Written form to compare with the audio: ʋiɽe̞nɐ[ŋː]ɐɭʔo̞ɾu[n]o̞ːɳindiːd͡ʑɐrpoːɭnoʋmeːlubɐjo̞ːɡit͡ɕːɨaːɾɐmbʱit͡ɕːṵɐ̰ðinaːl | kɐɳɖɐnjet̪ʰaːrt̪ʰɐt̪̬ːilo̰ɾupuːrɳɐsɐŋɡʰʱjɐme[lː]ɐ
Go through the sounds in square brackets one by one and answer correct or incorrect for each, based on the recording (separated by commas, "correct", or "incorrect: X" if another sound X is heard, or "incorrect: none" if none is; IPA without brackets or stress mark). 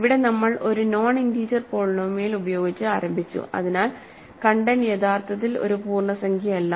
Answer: incorrect: mː, correct, correct